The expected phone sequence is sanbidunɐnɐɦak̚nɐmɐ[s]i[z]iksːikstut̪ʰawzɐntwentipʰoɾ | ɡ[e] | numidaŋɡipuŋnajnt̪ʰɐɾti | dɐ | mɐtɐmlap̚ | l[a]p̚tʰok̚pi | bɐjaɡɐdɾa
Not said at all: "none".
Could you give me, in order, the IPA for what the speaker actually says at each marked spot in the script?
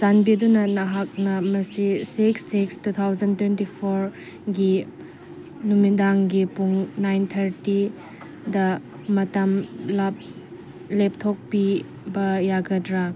s, s, i, e

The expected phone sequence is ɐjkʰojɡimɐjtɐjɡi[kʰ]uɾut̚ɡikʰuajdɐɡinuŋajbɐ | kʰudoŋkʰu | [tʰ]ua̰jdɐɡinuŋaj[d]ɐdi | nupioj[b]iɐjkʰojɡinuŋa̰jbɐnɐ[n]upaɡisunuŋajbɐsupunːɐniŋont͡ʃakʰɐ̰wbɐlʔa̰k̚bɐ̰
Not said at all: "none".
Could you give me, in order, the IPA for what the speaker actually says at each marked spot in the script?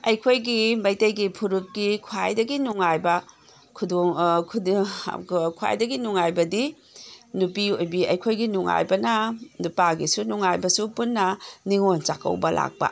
pʰ, kʰ, b, b, n

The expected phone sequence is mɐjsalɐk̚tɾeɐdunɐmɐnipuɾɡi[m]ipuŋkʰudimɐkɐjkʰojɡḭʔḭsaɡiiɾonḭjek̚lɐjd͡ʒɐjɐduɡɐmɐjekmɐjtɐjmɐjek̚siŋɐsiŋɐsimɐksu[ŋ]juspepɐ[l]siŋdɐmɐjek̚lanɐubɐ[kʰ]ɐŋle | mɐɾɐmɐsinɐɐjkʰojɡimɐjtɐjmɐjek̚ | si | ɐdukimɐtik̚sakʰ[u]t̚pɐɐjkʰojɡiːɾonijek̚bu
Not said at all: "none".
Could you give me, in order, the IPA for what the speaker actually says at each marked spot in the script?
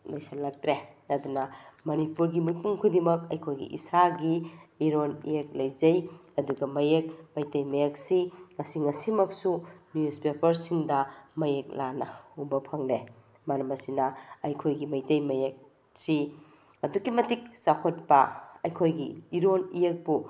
m, n, ɾ, pʰ, o

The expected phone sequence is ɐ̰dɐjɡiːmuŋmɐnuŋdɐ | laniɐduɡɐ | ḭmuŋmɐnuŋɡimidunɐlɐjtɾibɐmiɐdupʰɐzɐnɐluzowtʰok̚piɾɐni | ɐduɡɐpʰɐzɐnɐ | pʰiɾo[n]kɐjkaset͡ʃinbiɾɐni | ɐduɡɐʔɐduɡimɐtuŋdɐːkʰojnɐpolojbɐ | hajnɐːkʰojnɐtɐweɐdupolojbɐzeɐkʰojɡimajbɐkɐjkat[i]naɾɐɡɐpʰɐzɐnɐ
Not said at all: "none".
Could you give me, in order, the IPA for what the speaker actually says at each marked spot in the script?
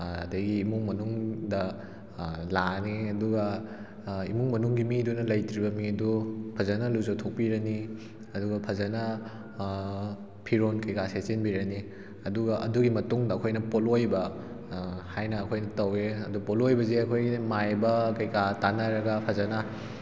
n, a

